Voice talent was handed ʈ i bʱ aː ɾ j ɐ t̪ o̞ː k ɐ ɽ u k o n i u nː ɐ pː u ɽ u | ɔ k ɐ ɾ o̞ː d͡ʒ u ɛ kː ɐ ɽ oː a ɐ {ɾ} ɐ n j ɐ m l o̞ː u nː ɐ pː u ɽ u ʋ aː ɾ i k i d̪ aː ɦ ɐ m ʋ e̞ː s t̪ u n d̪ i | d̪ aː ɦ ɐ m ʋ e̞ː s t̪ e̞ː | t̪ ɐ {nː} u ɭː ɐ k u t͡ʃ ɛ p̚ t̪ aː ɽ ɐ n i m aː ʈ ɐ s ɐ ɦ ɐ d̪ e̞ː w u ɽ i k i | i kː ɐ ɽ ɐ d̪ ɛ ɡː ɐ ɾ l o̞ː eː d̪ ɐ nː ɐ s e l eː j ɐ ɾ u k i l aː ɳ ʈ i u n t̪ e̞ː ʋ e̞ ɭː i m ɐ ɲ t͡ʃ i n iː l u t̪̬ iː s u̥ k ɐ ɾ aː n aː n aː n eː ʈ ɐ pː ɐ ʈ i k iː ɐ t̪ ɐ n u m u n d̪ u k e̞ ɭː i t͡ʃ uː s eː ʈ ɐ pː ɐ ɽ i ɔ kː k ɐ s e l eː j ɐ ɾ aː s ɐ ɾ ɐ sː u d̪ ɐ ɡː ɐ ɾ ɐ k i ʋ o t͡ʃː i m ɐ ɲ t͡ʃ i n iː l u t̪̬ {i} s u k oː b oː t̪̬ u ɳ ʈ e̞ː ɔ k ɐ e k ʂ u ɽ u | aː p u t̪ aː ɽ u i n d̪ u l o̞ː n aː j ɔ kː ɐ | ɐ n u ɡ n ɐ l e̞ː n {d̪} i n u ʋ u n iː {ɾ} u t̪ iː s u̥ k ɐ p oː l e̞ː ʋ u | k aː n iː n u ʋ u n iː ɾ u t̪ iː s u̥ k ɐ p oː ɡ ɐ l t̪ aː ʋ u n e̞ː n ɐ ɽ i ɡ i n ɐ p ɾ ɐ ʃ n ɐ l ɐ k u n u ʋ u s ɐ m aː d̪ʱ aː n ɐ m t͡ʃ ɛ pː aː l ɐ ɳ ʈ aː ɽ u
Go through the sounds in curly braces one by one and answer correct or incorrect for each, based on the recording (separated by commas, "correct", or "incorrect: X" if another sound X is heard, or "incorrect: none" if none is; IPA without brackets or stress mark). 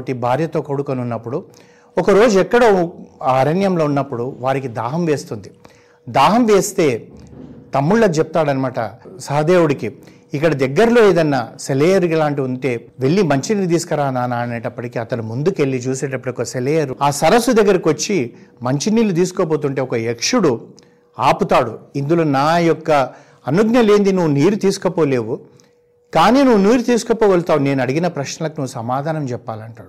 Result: correct, incorrect: mː, incorrect: iː, correct, correct